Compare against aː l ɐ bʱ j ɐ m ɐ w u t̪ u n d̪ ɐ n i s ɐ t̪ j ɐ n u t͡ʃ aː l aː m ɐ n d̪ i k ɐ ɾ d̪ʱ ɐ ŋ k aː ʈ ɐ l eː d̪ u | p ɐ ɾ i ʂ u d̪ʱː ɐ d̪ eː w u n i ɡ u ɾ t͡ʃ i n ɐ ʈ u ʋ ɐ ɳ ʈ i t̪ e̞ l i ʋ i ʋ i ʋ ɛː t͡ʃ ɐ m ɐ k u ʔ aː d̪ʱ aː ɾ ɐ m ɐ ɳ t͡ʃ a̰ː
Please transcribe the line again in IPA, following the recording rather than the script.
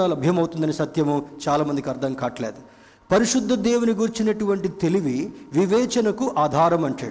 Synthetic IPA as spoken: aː l ɐ bʱ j ɐ m ɐ w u t̪ u n d̪ ɐ n i s ɐ t̪ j ɐ m u t͡ʃ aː l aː m ɐ n d̪ i k ɐ ɾ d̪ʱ ɐ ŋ k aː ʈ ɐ l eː d̪ u | p ɐ ɾ i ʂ u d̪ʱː ɐ d̪ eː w u n i ɡ u ɾ t͡ʃ i n ɐ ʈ u ʋ ɐ ɳ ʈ i t̪ e̞ l i ʋ i ʋ i ʋ ɛː t͡ʃ ɐ n ɐ k u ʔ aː d̪ʱ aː ɾ ɐ m ɐ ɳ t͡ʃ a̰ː